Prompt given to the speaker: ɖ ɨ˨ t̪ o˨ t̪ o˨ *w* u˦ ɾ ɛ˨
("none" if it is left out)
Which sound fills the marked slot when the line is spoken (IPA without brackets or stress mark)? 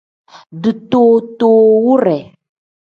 w